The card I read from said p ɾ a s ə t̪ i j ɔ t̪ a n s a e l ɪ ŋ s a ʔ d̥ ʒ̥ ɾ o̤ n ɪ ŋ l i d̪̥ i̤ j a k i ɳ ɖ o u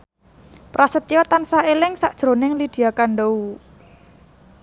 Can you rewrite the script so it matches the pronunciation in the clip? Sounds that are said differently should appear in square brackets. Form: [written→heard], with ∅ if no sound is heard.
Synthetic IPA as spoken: p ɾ a s ə t̪ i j ɔ t̪ a n s a e l ɪ ŋ s a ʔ d̥ ʒ̥ ɾ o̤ n ɪ ŋ l i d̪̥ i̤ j a k [i→a] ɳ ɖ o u